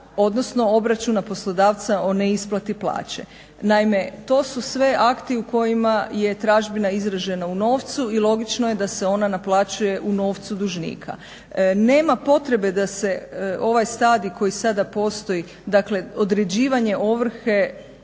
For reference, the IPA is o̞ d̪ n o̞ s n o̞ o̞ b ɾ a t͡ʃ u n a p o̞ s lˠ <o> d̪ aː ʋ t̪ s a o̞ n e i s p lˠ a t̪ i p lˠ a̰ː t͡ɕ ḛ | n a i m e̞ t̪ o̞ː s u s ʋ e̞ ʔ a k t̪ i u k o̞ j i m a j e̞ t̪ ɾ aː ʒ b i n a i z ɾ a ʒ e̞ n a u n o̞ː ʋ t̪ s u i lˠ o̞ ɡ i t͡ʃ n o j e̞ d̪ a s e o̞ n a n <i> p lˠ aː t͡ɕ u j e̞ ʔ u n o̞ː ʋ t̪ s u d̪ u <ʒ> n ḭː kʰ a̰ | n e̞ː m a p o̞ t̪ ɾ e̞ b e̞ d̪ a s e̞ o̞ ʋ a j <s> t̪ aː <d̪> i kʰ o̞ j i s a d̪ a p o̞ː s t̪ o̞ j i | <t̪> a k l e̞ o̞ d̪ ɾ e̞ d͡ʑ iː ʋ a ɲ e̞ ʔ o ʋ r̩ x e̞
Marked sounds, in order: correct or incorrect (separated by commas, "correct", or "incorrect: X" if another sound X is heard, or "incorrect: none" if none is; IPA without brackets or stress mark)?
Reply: correct, incorrect: a, correct, correct, correct, incorrect: d̪